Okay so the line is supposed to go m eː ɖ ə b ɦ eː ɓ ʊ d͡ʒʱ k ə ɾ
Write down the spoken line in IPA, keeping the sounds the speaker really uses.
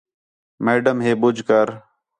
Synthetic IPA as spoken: m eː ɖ ə m ɦ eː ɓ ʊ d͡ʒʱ k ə ɾ